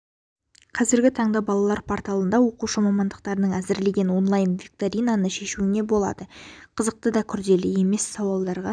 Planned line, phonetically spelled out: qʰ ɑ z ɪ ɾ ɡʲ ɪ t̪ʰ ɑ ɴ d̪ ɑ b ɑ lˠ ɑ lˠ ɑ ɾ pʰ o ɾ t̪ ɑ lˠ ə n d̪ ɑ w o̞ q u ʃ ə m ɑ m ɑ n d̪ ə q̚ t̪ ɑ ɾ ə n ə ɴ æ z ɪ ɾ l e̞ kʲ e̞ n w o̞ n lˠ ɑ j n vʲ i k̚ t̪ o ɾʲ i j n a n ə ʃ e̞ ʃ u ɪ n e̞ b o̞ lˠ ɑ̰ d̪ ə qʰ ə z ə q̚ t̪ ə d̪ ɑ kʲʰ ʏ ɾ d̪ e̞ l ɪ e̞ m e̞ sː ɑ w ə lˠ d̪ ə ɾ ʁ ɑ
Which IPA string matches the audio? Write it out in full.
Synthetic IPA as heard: qʰ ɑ z ɪ ɾ ɡʲ ɪ t̪ʰ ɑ ɴ d̪ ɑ b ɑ lˠ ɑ lˠ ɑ ɾ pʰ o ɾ t̪ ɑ lˠ ə n d̪ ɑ w o̞ q u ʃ ə m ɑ m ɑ n d̪ ə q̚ t̪ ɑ ɾ ə n ə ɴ æ z ɪ ɾ l e̞ ɡʲ e̞ n w o̞ n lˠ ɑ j n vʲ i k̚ t̪ o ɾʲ i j n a n ə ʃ e̞ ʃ u ɪ n e̞ b o̞ lˠ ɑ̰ d̪ ə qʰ ə z ə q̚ t̪ ə d̪ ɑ kʲʰ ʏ ɾ d̪ e̞ l ɪ e̞ m e̞ sː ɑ w ɑ lˠ d̪ ɑ ɾ ʁ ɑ